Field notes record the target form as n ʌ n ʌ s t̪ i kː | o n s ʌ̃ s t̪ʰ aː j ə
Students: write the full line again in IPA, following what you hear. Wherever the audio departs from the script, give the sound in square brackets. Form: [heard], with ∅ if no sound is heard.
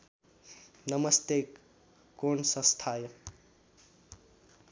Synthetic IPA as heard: n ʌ [m] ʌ s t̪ [e] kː | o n s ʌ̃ s t̪ʰ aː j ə